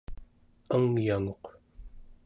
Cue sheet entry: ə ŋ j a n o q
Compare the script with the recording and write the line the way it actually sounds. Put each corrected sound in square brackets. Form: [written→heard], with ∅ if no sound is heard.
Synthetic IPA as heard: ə ŋ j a [n→ŋ] o q